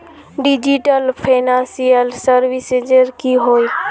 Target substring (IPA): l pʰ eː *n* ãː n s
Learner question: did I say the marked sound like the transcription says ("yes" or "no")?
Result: yes